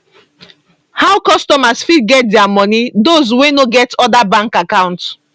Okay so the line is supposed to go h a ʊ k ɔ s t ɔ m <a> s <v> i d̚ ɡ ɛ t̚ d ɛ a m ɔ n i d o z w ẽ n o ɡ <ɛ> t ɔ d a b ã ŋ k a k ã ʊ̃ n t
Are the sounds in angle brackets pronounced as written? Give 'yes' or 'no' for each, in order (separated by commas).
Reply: yes, no, yes